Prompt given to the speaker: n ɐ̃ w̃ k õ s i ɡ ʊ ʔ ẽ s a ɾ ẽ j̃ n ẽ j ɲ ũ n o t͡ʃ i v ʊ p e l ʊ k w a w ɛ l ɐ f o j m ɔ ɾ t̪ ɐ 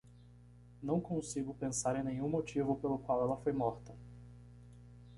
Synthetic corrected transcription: n ɐ̃ w̃ k õ s i ɡ ʊ p ẽ s a ɾ ẽ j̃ n ẽ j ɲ ũ m o t͡ʃ i v ʊ p e l ʊ k w a w ɛ l ɐ f o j m ɔ ɾ t̪ ɐ